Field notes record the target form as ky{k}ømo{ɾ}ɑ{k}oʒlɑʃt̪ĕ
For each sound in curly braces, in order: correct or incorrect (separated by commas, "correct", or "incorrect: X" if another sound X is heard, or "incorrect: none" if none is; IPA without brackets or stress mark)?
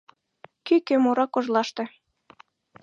correct, correct, correct